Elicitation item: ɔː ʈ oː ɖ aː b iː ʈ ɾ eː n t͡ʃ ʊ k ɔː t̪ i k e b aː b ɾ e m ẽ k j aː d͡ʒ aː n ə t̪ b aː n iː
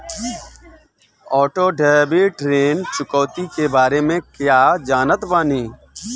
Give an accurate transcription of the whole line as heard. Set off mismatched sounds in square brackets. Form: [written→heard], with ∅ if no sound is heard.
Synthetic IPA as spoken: ɔː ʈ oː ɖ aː b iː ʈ ɾ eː n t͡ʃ ʊ k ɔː t̪ i k e b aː [b→∅] ɾ e m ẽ k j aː d͡ʒ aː n ə t̪ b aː n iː